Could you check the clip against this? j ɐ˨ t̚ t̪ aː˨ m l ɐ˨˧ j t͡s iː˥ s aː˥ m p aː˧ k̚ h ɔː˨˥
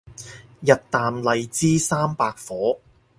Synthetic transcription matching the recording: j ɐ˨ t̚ t̪ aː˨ m l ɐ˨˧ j t͡s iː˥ s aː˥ m p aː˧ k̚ f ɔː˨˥

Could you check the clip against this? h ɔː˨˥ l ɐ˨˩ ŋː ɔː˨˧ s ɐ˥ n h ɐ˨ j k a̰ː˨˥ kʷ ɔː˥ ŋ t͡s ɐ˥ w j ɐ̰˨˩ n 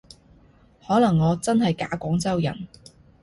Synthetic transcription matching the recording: h ɔː˨˥ l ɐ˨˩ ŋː ɔː˨˧ t͡s ɐ˥ n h ɐ˨ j k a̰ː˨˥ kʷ ɔː˨˥ ŋ t͡s ɐ˥ w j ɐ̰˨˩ n

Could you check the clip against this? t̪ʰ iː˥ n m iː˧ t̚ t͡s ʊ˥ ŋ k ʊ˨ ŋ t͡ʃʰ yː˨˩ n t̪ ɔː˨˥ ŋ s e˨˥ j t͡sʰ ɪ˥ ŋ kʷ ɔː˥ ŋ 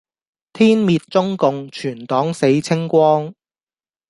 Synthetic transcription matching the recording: t̪ʰ iː˥ n m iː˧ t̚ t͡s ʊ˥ ŋ k ʊ˨ ŋ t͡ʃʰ yː˨˩ n t̪ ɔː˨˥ ŋ s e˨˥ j t͡sʰ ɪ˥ ŋ kʷ ɔː˥ ŋ

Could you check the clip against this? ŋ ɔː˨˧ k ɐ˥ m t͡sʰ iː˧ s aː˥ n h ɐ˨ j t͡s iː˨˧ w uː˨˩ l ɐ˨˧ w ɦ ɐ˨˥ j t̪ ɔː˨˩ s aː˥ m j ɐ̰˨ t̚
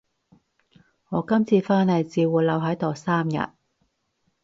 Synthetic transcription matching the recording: ŋ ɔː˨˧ k ɐ˥ m t͡sʰ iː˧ f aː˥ n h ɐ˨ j t͡s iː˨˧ w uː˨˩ l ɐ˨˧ w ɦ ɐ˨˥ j t̪ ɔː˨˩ s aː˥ m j ɐ̰˨ t̚

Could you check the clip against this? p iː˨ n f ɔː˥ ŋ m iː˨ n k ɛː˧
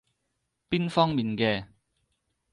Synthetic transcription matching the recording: p iː˥ n f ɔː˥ ŋ m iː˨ n k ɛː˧

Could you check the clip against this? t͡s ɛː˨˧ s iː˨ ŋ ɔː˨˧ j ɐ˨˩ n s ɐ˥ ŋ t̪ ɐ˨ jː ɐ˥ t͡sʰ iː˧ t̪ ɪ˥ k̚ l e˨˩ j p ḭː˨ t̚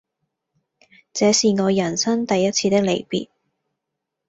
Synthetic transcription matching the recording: t͡s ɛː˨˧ s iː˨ ŋ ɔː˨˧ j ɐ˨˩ n s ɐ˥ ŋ t̪ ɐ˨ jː ɐ˥ t͡sʰ iː˧ t̪ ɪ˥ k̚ l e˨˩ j p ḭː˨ t̚

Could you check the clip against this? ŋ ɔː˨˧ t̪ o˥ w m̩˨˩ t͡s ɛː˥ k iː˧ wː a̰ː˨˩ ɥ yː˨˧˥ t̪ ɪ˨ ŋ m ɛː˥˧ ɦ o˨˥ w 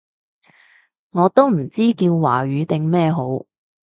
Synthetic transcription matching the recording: ŋ ɔː˨˧ t̪ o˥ w m̩˨˩ t͡s iː˥ k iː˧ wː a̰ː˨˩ ɥ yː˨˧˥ t̪ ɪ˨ ŋ m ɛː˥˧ ɦ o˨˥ w

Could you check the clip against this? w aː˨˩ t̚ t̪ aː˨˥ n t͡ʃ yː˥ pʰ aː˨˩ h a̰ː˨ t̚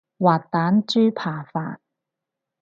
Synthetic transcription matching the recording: w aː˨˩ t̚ t̪ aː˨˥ n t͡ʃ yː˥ pʰ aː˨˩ f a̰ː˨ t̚

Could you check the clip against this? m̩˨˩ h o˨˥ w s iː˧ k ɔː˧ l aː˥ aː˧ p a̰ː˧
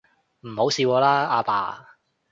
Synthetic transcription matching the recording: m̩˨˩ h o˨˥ w s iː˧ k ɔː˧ l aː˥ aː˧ p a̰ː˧

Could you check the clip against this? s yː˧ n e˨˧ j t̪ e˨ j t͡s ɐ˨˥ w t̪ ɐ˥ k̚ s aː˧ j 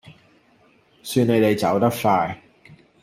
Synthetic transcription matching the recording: s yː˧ n e˨˧ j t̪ e˨ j t͡s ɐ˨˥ w t̪ ɐ˥ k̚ f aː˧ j

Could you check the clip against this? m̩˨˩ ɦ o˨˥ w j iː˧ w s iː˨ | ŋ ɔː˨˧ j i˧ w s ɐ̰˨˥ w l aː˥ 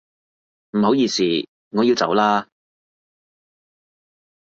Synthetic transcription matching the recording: m̩˨˩ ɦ o˨˥ w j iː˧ s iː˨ | ŋ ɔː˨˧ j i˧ w t͡s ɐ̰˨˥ w l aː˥

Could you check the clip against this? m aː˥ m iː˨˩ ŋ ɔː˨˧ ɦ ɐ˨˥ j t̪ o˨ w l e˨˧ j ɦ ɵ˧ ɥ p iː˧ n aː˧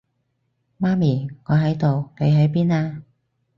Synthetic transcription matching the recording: m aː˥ m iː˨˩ ŋ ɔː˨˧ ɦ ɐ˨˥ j t̪ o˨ w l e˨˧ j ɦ ɵ˨˥ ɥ p iː˥ n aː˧

